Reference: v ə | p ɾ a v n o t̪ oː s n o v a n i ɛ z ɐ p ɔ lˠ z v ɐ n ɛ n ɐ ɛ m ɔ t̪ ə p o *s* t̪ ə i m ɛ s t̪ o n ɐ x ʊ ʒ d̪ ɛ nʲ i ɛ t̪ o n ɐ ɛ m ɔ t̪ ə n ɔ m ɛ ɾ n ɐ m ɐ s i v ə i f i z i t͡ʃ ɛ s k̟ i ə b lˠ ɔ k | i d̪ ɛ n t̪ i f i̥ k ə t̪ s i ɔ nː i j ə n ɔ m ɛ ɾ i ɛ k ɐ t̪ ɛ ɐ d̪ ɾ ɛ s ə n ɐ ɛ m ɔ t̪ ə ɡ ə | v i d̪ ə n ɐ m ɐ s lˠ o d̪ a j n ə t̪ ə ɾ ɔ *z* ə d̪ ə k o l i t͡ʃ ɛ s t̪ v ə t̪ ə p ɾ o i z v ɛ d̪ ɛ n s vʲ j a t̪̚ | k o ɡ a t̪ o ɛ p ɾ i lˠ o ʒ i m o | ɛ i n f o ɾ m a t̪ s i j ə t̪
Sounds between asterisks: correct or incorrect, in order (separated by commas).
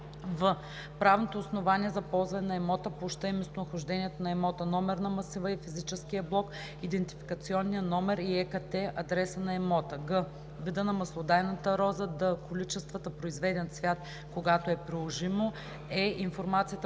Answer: incorrect, correct